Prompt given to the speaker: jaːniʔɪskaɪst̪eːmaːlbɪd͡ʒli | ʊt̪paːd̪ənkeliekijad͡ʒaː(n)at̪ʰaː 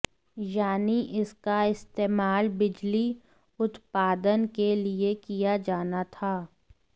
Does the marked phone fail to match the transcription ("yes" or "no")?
no